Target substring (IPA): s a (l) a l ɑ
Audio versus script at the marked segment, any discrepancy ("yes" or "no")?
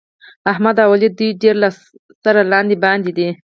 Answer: yes